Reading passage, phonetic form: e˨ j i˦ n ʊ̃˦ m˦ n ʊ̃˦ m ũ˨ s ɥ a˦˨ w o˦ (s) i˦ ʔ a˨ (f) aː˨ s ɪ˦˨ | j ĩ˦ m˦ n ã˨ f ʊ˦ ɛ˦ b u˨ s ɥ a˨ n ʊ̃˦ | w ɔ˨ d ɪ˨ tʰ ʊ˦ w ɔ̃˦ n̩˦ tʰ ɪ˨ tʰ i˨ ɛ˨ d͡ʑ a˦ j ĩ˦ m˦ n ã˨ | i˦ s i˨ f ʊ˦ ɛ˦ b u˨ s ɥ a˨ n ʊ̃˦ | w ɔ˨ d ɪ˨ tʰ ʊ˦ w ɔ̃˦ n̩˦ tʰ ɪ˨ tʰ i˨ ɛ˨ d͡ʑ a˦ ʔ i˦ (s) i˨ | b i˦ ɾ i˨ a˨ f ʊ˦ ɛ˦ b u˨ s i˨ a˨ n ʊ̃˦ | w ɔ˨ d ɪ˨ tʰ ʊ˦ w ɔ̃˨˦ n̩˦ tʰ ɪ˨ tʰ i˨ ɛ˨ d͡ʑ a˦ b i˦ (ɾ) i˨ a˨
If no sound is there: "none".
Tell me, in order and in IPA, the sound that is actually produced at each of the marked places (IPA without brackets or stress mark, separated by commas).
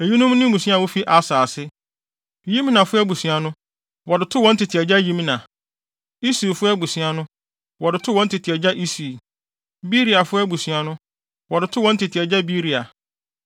f, s, s, ɾ